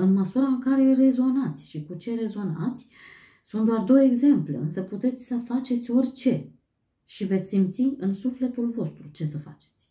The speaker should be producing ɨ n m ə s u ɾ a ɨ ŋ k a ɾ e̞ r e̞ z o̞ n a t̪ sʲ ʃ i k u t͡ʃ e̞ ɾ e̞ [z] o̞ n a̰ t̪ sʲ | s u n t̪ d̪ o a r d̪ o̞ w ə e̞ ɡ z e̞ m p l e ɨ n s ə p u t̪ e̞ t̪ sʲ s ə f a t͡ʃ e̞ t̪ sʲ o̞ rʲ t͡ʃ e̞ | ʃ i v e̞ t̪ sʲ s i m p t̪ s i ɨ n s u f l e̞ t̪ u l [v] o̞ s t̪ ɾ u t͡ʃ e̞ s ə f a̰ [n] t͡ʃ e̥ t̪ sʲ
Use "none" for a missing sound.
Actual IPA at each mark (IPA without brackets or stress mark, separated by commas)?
z, v, none